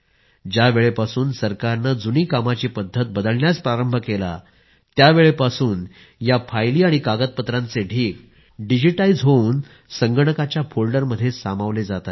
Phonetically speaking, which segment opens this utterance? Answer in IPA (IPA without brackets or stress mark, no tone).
d͡ʑ